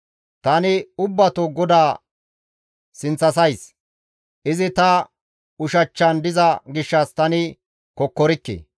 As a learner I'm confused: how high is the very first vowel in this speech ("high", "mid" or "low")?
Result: low